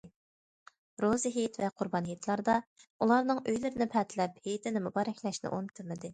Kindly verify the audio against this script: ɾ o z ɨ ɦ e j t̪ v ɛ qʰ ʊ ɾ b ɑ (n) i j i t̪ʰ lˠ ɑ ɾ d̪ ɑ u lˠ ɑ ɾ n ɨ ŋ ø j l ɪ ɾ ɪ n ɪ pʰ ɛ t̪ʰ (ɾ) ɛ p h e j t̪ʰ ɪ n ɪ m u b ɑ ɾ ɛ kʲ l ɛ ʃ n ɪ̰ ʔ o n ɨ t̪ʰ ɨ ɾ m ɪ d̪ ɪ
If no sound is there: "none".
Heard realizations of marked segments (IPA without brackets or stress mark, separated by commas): n, l